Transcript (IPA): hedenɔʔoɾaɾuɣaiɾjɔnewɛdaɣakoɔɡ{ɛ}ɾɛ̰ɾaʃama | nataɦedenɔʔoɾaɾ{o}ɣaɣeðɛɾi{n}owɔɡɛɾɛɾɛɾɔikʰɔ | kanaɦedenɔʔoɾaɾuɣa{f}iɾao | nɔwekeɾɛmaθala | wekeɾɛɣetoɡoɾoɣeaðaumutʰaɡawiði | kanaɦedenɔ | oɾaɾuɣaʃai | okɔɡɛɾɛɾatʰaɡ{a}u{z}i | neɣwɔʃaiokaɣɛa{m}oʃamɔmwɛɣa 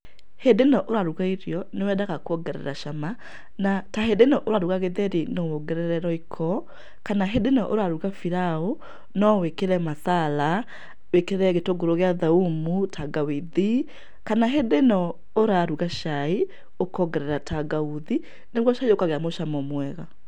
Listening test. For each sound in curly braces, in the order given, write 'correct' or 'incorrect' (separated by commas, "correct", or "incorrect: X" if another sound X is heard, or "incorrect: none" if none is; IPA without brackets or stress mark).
correct, incorrect: u, correct, correct, correct, incorrect: ð, correct